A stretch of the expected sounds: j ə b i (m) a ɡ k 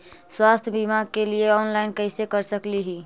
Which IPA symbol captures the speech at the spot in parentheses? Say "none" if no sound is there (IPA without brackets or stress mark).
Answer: m